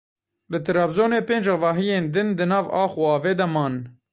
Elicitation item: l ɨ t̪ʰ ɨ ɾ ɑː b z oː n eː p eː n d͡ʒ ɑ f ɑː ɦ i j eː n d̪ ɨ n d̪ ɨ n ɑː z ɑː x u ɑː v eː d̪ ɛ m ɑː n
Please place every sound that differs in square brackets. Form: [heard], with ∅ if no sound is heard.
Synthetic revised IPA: l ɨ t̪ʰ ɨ ɾ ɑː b z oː n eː p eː n d͡ʒ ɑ [v] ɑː ɦ i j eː n d̪ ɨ n d̪ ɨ n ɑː [v] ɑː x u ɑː v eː d̪ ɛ m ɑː n